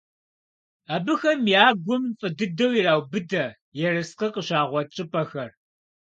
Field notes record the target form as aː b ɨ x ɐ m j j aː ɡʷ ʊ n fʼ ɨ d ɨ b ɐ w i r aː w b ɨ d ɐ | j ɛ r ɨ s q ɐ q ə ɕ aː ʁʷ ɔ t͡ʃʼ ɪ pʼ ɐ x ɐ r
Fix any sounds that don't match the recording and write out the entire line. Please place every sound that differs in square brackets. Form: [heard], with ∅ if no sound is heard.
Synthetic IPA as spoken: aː b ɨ x ɐ m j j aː ɡʷ ʊ [m] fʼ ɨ d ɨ [d] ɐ w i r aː w b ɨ d ɐ | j ɛ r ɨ s q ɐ q ə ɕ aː ʁʷ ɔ t͡ʃʼ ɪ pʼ ɐ x ɐ r